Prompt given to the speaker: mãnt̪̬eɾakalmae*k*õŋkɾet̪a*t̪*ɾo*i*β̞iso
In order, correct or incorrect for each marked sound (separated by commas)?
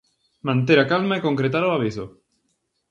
correct, incorrect, incorrect